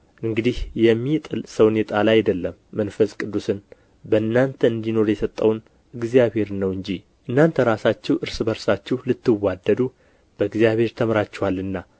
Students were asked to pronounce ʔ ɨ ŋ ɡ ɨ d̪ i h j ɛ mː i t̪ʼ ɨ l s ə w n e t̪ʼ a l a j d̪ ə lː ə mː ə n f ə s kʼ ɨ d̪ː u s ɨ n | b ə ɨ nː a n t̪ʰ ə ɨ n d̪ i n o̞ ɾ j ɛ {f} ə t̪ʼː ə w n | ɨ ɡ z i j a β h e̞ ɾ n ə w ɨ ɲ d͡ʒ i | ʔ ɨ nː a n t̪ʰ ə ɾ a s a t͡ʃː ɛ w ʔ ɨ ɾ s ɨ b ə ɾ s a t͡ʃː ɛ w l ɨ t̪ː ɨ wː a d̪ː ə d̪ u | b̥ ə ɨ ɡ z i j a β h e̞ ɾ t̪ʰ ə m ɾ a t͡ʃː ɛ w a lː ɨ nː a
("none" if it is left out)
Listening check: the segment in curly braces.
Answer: s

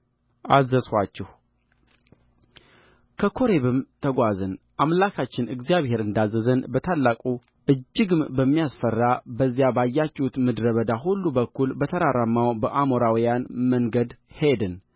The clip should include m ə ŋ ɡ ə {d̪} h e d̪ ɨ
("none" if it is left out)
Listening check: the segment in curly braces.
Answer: d̪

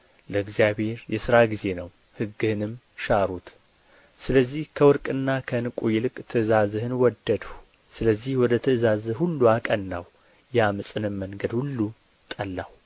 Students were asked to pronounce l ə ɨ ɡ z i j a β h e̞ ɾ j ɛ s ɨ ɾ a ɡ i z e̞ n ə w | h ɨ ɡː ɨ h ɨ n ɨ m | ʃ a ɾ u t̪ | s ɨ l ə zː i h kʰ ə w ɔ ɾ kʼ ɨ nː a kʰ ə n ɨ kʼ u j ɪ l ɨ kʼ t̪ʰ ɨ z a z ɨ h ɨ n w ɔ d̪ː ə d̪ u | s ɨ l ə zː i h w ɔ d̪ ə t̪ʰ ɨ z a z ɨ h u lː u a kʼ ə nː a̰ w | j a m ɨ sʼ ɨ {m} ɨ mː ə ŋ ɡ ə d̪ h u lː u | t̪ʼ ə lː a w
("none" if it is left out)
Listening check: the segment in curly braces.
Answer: n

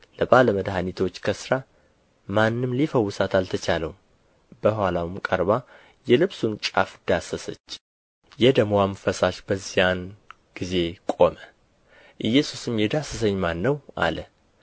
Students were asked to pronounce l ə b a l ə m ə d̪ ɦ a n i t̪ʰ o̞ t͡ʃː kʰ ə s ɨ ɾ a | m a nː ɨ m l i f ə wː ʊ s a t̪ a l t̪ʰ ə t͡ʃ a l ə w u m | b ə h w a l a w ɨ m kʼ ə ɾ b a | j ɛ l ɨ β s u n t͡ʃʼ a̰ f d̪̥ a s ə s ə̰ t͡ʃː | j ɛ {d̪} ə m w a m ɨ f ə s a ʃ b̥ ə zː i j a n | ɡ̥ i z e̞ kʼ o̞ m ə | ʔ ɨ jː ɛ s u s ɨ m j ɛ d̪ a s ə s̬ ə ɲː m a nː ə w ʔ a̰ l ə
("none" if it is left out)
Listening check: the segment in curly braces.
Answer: d̪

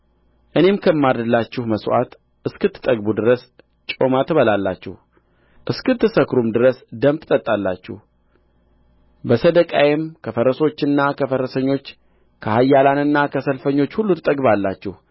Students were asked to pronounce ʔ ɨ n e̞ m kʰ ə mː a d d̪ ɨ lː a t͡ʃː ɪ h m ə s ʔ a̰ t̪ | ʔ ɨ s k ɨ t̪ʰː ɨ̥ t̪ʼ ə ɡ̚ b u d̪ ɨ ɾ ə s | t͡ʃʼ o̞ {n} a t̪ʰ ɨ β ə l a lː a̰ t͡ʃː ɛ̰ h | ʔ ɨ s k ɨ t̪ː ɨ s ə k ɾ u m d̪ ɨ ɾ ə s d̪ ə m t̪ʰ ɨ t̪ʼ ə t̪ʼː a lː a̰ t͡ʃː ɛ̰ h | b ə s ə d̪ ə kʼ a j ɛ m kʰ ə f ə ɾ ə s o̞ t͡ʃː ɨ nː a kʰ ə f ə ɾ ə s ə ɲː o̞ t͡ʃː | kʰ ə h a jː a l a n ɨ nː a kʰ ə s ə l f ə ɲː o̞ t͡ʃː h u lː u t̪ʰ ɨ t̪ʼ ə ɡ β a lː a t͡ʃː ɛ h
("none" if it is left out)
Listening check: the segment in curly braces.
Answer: m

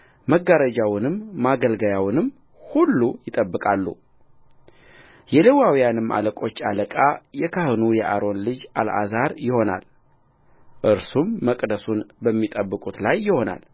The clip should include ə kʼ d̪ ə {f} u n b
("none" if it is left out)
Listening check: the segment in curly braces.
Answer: s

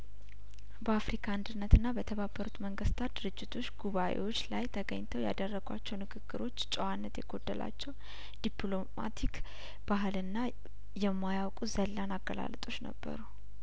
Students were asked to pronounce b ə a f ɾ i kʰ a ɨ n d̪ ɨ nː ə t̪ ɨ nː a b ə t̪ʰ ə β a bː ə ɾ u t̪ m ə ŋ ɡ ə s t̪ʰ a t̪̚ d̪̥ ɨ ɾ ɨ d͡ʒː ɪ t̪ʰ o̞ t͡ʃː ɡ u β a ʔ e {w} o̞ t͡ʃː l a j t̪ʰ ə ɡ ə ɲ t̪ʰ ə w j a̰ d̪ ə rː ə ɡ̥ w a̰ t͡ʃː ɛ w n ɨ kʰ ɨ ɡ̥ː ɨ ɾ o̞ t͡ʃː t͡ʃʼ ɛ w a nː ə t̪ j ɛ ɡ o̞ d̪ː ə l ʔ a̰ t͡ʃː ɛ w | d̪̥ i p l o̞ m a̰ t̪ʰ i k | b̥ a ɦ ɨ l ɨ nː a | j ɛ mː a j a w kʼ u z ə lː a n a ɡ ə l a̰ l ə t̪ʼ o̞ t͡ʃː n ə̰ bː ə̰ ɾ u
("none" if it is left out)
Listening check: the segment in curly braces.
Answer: w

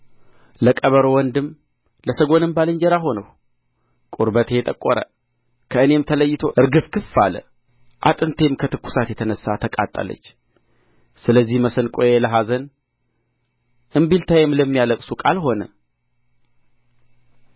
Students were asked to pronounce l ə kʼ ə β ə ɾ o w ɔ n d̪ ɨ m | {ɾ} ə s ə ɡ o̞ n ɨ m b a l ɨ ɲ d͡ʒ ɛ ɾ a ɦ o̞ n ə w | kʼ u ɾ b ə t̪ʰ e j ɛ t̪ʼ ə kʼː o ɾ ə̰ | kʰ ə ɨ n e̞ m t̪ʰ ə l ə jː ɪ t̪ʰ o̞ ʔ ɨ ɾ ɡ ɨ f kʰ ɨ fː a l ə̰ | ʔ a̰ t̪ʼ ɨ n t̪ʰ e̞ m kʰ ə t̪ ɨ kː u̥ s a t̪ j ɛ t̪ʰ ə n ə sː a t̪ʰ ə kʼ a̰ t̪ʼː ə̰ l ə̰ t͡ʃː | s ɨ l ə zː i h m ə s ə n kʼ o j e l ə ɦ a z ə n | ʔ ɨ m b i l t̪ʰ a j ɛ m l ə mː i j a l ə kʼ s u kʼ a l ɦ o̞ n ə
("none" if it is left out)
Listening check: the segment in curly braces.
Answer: l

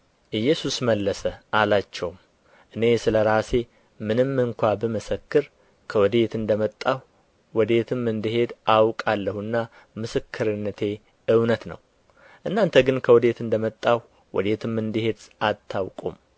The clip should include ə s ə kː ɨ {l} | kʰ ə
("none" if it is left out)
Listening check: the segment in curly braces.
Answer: ɾ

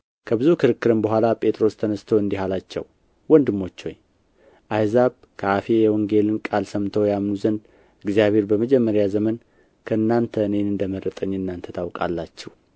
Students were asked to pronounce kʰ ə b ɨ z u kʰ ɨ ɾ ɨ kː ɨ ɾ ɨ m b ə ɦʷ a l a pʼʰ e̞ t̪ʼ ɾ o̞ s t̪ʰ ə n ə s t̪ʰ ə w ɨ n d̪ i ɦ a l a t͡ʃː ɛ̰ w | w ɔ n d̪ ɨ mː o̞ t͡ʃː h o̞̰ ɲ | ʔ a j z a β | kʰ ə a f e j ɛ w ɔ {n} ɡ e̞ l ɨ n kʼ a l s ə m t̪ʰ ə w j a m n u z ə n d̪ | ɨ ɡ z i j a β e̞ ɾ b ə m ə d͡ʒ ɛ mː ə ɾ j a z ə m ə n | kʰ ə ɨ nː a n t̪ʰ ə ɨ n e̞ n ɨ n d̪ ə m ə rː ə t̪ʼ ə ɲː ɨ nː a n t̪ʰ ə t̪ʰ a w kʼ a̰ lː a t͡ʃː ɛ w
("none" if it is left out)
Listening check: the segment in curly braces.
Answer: ŋ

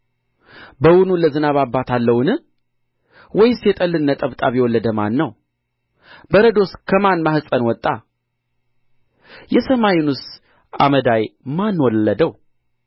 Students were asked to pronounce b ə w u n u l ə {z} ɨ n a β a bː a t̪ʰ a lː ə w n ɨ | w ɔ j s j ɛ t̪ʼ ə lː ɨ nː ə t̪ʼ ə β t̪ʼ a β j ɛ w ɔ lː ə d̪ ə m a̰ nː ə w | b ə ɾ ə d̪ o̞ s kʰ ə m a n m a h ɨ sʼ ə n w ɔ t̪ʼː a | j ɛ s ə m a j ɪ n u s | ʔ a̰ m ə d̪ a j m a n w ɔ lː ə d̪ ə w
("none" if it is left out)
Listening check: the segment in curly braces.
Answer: z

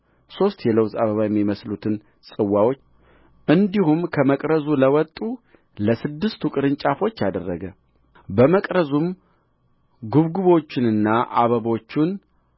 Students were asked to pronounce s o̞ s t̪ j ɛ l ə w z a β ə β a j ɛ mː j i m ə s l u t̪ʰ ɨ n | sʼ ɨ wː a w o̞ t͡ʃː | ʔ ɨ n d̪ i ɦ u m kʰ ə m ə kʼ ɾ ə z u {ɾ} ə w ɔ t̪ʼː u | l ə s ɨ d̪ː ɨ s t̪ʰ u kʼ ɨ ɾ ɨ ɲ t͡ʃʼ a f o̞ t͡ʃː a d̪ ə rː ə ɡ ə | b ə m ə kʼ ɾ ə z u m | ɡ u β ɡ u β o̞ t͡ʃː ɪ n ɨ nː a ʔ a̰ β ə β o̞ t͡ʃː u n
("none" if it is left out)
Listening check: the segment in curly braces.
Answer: l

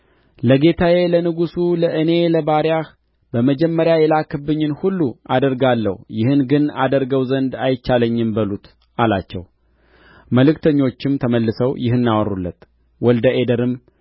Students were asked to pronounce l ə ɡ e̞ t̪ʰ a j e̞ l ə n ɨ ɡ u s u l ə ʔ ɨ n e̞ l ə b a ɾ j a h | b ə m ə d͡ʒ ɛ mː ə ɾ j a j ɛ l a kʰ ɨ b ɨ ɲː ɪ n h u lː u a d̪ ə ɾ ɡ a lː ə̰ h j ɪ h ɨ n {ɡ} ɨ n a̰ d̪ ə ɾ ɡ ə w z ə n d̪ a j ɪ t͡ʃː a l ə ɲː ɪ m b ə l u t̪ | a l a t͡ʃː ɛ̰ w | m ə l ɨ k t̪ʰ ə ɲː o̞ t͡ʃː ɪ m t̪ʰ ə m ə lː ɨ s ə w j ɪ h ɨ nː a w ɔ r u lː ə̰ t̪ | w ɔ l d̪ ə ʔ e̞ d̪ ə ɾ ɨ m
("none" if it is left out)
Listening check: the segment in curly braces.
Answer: ɡ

